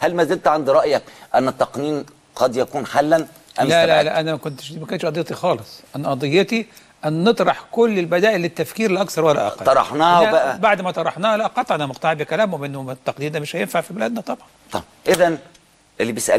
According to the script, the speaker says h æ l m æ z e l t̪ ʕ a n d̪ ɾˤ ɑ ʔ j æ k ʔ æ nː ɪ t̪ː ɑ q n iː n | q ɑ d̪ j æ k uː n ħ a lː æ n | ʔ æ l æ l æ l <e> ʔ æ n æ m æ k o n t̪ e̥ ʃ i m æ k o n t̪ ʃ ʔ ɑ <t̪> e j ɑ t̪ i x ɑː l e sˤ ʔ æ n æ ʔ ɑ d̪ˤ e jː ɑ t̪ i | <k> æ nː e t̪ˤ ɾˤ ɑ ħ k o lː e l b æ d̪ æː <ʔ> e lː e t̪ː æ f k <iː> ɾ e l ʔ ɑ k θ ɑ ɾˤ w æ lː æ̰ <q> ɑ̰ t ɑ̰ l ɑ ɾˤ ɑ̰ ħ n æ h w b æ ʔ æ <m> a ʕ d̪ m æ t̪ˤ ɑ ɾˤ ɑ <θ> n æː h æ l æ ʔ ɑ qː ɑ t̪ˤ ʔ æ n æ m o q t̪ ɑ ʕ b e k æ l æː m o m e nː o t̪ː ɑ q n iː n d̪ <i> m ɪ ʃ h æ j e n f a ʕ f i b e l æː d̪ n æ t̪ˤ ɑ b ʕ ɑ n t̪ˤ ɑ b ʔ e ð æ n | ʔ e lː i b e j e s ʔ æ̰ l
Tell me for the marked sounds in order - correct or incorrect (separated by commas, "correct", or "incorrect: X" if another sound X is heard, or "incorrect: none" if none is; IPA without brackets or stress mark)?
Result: incorrect: æ, incorrect: d̪, incorrect: ʔ, correct, correct, incorrect: ʔ, incorrect: b, incorrect: ħ, incorrect: æ